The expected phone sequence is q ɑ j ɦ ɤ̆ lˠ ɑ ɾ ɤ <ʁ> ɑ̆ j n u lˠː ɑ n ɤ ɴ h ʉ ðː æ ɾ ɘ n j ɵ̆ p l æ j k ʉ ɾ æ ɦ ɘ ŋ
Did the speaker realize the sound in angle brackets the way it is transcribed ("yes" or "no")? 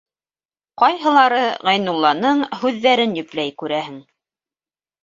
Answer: yes